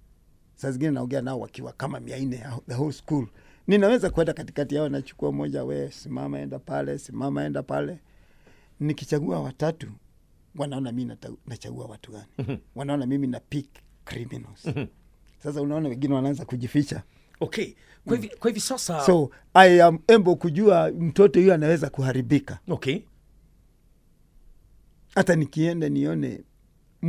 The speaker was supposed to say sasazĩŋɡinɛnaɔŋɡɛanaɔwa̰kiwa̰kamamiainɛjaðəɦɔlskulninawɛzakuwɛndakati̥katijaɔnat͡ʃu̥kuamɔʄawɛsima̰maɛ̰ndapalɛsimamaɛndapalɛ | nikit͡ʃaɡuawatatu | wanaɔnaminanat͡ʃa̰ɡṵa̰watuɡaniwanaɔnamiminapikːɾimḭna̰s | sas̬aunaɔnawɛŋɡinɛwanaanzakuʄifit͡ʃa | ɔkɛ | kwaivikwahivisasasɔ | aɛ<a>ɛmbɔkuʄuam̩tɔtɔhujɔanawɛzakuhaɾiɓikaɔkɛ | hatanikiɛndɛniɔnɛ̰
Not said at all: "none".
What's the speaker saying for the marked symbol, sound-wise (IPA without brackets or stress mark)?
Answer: a